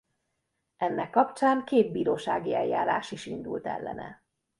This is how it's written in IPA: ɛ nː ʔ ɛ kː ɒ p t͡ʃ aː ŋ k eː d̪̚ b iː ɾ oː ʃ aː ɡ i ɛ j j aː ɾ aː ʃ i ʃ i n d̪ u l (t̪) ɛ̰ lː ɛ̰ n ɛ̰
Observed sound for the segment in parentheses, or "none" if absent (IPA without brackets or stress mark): t̪